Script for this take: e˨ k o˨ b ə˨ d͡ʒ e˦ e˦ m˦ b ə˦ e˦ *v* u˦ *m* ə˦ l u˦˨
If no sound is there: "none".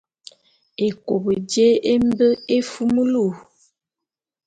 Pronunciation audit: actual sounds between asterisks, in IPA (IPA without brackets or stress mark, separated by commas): f, m